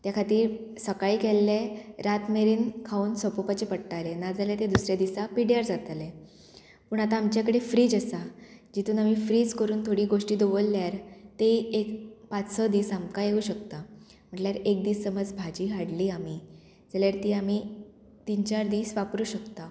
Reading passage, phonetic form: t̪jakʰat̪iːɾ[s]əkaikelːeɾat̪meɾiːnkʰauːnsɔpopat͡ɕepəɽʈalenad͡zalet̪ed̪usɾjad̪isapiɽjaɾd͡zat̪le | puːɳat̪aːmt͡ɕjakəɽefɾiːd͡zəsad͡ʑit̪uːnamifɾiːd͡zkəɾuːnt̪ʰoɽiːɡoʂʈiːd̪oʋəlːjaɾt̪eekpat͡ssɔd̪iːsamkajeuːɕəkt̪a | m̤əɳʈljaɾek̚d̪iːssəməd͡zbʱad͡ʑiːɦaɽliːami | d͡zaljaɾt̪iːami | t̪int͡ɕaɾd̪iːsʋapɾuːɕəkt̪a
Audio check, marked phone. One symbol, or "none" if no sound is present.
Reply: s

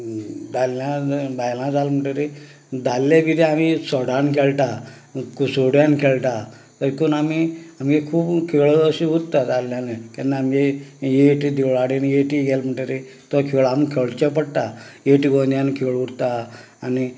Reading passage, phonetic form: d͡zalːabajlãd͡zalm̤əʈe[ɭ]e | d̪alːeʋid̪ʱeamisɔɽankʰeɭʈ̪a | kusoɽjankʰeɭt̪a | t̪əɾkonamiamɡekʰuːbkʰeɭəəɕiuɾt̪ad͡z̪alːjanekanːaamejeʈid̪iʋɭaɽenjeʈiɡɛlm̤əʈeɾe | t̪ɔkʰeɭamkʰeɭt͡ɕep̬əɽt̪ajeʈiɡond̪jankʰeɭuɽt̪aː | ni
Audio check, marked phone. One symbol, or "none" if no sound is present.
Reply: ɾ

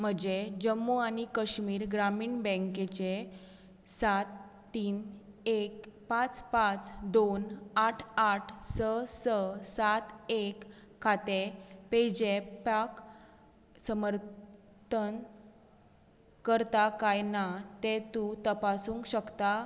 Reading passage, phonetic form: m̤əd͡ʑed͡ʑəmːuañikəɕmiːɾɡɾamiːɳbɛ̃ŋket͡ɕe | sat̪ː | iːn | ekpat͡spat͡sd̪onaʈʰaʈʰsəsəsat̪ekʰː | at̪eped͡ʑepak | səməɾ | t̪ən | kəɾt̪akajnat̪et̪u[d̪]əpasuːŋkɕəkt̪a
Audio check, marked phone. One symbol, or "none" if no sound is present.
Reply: t̪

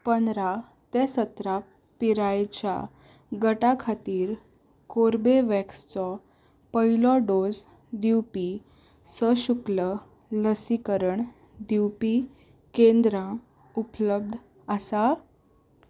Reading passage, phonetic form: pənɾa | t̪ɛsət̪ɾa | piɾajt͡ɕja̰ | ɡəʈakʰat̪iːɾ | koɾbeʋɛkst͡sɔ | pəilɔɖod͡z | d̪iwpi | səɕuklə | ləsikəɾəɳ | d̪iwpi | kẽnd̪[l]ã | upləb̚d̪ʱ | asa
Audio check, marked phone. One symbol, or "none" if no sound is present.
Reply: ɾ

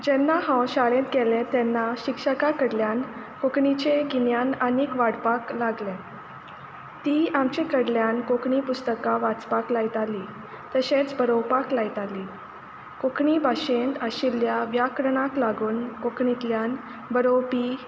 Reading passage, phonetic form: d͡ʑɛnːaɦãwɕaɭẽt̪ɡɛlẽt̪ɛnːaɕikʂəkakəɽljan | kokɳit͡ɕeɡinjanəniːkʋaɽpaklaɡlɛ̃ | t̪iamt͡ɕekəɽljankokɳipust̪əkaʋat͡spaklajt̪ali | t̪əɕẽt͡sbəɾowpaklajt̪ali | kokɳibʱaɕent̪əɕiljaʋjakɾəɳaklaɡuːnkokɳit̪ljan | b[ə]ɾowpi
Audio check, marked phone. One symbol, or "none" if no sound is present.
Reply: ə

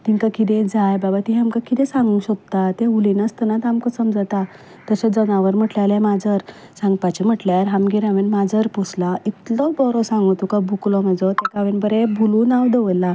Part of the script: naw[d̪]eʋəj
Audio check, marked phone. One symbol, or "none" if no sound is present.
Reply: d̪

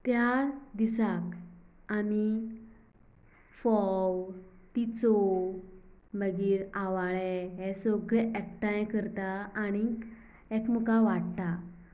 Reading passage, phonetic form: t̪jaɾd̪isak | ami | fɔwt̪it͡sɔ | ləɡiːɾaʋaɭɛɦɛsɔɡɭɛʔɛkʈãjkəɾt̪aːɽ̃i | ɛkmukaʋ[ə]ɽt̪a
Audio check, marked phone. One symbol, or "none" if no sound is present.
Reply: a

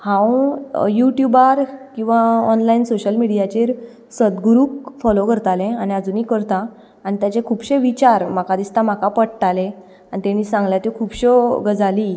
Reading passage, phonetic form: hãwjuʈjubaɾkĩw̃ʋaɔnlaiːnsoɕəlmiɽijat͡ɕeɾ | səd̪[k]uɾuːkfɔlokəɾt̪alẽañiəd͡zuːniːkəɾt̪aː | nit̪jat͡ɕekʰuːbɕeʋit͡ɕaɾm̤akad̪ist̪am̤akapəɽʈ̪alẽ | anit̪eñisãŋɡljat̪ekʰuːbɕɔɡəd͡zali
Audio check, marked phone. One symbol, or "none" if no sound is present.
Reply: ɡ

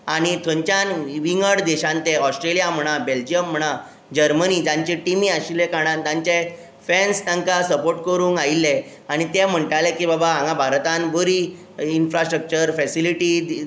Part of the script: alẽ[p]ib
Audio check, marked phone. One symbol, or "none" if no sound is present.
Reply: k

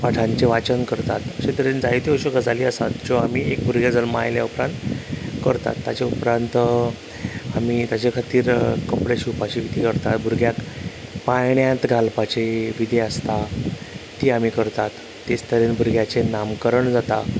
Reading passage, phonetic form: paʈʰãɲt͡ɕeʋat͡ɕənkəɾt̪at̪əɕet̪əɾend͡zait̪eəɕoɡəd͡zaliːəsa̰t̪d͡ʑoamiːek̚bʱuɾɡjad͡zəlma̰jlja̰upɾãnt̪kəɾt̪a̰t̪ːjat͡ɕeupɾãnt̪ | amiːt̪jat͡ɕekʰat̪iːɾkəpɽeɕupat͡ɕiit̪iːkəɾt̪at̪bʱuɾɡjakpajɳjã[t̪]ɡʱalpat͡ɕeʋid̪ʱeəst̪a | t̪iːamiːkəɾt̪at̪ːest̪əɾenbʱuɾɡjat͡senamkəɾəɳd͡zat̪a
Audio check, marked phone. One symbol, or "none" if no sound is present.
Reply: t̪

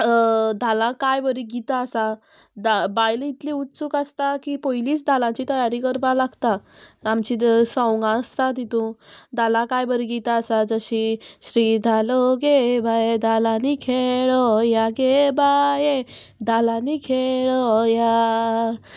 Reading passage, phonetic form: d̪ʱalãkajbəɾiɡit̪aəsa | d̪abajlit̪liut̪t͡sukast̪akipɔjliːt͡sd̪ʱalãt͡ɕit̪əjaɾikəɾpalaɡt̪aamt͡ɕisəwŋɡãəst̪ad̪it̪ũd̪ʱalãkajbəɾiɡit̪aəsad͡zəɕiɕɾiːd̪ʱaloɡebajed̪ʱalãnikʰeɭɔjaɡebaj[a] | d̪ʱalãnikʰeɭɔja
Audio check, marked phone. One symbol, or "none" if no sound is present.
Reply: e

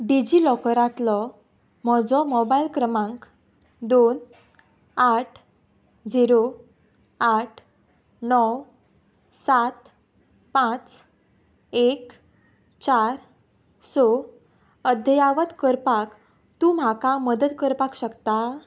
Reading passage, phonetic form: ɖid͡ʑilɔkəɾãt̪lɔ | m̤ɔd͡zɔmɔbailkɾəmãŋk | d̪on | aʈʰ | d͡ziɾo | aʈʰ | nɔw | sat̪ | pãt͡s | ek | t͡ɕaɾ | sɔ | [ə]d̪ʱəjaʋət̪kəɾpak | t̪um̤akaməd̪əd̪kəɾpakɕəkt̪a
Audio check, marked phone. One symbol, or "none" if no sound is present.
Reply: ə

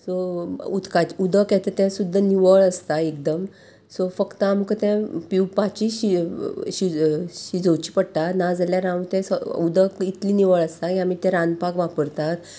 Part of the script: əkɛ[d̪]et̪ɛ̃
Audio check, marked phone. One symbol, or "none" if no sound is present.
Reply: t̪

